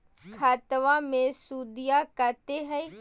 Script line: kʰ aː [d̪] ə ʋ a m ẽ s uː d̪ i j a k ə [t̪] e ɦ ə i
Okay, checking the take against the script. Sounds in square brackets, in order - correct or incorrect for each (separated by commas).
incorrect, correct